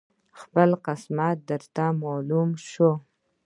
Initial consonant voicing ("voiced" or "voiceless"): voiceless